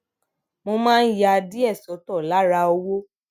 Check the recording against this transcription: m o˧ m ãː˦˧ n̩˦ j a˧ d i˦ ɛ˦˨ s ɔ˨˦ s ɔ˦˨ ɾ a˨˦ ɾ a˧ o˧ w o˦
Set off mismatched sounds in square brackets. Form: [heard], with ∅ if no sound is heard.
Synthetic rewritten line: m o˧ m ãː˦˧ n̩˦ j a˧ d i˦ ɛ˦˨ s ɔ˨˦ [t] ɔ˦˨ [l] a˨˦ ɾ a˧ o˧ w o˦

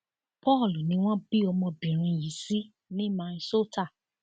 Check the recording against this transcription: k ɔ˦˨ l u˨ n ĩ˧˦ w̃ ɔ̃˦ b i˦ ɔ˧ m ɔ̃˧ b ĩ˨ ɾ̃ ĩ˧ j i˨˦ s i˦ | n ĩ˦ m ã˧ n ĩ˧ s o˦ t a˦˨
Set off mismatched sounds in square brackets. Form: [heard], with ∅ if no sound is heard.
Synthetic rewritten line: [p] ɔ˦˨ l u˨ n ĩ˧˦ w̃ ɔ̃˦ b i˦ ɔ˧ m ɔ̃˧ b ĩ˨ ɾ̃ ĩ˧ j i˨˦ s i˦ | n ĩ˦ m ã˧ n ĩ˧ s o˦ t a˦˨

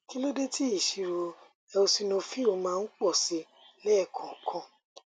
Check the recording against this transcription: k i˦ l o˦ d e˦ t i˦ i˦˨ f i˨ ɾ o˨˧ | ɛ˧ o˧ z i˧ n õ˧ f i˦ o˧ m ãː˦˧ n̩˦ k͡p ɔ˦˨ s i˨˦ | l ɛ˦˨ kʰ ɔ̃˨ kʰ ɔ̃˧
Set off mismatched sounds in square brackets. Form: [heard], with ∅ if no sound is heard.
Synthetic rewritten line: k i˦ l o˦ d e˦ t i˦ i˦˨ [ʃ] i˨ ɾ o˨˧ | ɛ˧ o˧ [s] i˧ n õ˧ f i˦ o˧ m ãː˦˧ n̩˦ k͡p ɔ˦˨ s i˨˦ | l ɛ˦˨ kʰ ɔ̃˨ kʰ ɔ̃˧

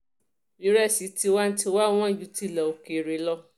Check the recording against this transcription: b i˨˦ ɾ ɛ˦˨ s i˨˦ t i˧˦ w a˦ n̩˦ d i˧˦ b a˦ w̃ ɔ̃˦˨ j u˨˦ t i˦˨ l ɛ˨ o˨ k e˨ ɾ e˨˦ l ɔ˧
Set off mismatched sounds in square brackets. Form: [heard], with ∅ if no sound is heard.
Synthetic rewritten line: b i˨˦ ɾ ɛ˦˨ s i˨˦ t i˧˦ w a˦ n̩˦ [t] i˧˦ [w] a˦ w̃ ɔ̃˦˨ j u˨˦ t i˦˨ l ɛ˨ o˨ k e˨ ɾ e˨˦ l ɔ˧

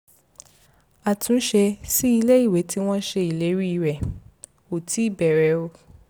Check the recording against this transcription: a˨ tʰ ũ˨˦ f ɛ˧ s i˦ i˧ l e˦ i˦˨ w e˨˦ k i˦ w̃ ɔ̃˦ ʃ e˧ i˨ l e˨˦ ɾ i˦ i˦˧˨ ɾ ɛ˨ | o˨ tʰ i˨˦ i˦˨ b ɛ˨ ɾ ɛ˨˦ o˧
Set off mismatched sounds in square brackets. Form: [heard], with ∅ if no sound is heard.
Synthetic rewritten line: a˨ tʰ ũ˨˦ [ʃ] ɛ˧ s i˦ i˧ l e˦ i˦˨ w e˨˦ [t] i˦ w̃ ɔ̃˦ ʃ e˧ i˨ l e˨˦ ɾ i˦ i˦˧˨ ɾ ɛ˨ | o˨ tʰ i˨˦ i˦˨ b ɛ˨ ɾ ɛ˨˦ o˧

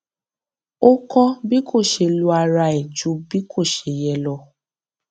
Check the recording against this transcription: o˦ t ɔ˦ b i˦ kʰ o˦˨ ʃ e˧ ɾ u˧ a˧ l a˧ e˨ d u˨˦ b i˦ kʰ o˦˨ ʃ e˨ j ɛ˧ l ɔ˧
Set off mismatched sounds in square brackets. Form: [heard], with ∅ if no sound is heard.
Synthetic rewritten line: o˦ [k] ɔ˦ b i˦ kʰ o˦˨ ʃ e˧ [l] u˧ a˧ [ɾ] a˧ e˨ [d͡ʒ] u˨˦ b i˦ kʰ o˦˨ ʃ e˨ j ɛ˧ l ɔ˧

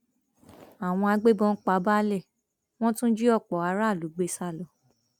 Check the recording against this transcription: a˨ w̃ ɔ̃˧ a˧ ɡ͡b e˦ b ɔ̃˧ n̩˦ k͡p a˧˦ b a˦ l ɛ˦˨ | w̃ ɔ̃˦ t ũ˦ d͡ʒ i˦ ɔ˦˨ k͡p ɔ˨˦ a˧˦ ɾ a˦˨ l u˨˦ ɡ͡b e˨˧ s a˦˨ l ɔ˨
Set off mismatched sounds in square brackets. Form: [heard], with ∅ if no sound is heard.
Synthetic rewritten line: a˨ w̃ ɔ̃˧ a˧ ɡ͡b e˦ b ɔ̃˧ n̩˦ k͡p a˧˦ b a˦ l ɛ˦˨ | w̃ ɔ̃˦ t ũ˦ d͡ʒ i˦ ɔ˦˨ k͡p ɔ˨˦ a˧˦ ɾ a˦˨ l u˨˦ ɡ͡b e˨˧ s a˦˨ l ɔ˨

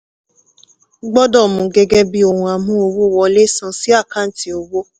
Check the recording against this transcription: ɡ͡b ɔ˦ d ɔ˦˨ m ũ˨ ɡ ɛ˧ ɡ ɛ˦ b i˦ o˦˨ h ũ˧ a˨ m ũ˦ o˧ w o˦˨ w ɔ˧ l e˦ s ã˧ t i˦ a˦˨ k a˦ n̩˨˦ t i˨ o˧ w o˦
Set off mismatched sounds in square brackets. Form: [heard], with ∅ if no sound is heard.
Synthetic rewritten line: ɡ͡b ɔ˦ d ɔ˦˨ m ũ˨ ɡ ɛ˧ ɡ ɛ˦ b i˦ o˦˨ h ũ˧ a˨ m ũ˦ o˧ w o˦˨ w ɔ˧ l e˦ s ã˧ [s] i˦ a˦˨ k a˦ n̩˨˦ t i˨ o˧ w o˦

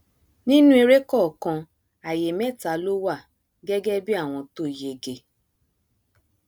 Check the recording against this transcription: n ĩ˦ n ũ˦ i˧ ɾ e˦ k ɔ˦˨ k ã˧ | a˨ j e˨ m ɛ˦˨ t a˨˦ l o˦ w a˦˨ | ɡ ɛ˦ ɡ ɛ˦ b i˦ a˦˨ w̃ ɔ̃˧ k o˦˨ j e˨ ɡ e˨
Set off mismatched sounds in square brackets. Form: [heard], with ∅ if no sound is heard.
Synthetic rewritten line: n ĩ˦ n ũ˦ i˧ ɾ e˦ k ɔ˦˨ k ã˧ | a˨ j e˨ m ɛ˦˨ t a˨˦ l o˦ w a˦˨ | ɡ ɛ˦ ɡ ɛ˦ b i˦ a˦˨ w̃ ɔ̃˧ [t] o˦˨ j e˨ ɡ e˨

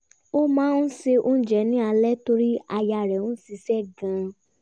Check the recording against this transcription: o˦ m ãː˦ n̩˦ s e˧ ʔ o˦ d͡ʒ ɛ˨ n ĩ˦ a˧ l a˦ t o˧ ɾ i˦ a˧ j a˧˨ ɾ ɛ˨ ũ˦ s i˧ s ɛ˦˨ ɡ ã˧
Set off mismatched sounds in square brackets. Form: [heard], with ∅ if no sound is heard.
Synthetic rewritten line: o˦ m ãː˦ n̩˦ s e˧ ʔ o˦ d͡ʒ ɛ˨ n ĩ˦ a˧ l [ɛ˦] t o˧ ɾ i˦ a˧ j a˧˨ ɾ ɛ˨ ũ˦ s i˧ s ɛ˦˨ ɡ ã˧

